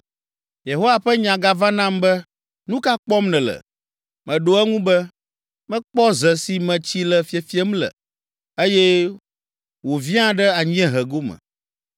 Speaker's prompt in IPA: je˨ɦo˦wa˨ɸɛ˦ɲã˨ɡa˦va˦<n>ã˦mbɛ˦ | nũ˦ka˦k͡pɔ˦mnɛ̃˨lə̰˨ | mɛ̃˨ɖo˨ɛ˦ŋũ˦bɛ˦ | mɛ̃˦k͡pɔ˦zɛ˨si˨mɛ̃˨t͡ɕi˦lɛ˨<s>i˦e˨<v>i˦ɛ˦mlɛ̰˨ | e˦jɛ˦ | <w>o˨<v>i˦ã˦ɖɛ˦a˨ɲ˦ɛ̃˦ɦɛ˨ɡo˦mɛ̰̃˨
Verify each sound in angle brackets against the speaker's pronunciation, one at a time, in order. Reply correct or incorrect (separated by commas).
correct, incorrect, incorrect, correct, correct